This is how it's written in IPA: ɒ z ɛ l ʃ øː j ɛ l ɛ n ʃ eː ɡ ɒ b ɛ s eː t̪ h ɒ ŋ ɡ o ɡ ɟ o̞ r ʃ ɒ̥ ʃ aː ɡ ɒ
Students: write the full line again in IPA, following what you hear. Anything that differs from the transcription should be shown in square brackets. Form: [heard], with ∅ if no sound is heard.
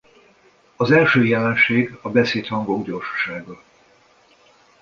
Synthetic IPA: ɒ z ɛ l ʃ øː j ɛ l ɛ n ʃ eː ɡ ɒ b ɛ s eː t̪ h ɒ ŋ ɡ o ɡ ɟ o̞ r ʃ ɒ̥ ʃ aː ɡ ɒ